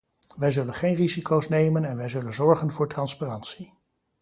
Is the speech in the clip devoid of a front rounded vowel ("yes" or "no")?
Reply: yes